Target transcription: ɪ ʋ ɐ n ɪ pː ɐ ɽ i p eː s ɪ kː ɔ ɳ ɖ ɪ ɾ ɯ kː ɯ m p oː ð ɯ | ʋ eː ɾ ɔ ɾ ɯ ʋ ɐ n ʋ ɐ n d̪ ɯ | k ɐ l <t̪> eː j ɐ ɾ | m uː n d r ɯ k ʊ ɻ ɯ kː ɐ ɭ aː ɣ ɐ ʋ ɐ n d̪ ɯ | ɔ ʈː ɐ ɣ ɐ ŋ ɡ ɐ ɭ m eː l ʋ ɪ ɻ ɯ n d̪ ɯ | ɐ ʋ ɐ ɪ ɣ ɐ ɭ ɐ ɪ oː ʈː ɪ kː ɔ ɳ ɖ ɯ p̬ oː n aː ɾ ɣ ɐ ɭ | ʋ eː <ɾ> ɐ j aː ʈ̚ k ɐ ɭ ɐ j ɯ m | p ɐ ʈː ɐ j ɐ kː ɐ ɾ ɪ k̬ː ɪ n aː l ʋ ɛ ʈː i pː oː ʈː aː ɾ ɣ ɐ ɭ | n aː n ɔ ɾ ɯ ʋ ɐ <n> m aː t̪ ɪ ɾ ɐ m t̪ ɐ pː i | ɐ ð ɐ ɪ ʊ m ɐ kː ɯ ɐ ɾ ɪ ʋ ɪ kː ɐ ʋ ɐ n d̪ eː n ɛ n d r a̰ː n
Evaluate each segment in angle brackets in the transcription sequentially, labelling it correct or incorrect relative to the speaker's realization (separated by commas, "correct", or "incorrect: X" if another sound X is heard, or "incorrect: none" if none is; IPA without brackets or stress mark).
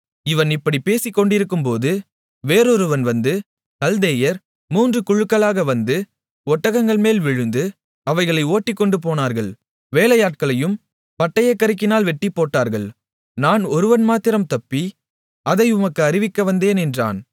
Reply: incorrect: d̪, incorrect: l, correct